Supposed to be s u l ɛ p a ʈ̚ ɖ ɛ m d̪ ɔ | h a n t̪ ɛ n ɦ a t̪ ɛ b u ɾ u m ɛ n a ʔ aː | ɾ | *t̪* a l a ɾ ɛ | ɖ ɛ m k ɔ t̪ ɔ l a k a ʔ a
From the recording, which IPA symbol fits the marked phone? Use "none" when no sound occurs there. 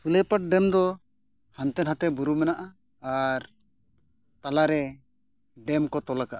t̪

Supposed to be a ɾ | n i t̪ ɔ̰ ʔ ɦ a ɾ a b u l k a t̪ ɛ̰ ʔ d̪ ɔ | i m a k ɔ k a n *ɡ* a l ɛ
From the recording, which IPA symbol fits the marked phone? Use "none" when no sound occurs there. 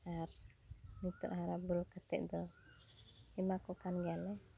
ɡ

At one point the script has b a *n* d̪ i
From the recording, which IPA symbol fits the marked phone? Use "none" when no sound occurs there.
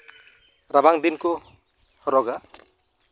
ŋ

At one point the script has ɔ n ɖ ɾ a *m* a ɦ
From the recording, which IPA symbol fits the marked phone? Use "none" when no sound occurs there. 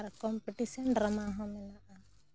m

